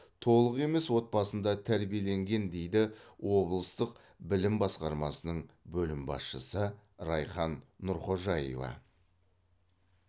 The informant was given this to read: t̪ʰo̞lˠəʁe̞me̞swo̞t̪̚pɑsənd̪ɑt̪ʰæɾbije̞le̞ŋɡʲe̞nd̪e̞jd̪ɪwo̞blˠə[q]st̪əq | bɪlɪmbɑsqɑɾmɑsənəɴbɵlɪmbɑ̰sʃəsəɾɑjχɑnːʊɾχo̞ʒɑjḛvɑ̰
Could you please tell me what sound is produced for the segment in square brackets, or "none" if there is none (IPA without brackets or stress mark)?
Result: none